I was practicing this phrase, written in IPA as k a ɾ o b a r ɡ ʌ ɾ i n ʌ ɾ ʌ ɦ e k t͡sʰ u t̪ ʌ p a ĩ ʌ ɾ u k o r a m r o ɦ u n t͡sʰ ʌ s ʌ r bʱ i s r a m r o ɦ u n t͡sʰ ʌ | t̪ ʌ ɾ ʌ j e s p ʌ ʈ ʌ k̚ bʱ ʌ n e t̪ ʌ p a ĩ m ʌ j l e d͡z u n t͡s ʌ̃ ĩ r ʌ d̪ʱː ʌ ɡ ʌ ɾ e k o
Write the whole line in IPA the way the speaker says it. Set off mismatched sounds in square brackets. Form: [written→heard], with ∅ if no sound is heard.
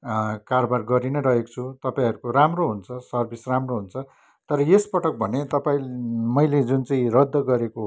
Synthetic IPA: k a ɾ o b a r ɡ ʌ ɾ i n ʌ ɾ ʌ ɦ e k t͡sʰ u t̪ ʌ p a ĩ ʌ ɾ u k o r a m r o ɦ u n t͡sʰ ʌ s ʌ r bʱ i s r a m r o ɦ u n t͡sʰ ʌ | t̪ ʌ ɾ ʌ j e s p ʌ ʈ ʌ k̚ bʱ ʌ n e t̪ ʌ p a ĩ m ʌ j l e d͡z u n t͡s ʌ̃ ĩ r ʌ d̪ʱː ʌ ɡ ʌ ɾ e k o